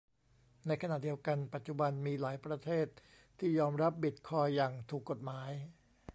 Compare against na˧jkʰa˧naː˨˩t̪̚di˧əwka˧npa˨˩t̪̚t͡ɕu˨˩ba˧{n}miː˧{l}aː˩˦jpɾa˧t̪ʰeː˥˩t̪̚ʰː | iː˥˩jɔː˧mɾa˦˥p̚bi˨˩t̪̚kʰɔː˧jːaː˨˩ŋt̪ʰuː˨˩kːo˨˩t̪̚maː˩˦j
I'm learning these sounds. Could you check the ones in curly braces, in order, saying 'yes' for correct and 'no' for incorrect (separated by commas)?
yes, yes